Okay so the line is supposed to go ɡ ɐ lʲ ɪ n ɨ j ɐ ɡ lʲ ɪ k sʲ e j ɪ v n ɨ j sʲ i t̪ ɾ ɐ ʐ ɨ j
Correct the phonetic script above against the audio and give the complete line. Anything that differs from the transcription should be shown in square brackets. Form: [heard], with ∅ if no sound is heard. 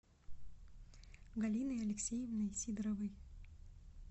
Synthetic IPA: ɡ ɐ lʲ [i] n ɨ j ɐ [∅] lʲ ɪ k sʲ e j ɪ v n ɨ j sʲ i [d̪] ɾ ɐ [v] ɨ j